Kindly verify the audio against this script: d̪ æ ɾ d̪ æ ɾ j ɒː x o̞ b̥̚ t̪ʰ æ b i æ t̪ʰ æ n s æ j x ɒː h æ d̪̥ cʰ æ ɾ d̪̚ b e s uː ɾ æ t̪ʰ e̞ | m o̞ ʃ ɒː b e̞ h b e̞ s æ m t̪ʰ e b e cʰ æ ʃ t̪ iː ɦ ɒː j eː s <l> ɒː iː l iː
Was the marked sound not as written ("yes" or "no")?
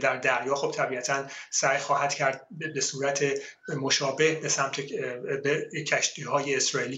yes